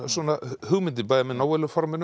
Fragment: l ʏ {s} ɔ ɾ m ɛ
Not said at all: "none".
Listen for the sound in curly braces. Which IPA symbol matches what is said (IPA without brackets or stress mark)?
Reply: f